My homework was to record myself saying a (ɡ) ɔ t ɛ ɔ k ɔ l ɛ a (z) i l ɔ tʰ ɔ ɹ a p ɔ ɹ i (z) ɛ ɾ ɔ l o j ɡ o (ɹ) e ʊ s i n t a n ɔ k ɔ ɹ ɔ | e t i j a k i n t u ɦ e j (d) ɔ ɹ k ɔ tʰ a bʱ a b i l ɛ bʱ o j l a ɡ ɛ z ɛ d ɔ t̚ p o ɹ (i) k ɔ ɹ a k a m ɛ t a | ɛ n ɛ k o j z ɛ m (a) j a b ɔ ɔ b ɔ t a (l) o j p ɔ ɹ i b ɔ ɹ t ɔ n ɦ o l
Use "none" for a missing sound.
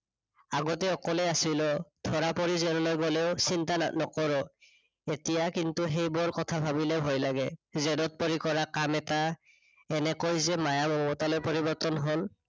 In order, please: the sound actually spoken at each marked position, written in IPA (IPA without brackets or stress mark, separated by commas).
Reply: ɡ, s, z, l, b, i, a, l